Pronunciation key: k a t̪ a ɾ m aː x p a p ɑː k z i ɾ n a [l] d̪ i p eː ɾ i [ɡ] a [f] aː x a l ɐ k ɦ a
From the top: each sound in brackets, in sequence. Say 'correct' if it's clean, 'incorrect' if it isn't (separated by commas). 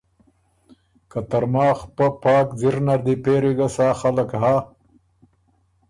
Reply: incorrect, correct, incorrect